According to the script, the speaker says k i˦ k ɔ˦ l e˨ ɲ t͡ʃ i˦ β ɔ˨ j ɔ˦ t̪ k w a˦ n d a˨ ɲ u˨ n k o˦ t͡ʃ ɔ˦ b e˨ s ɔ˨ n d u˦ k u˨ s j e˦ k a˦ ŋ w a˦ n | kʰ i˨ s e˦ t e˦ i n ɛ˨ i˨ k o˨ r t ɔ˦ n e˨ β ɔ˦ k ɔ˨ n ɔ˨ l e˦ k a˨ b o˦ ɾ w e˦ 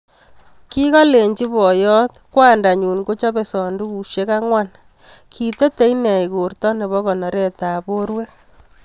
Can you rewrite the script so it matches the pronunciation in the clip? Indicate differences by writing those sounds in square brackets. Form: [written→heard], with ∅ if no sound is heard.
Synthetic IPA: k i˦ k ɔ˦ l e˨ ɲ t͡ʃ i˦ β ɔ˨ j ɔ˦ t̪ k w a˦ n d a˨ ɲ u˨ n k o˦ t͡ʃ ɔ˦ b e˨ s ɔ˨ n d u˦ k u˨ [s→ʃ] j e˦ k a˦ ŋ w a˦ n | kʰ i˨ [s→t] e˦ t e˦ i n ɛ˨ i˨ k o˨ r t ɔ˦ n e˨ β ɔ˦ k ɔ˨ n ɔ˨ [l→ɾ] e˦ [k→t] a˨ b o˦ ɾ w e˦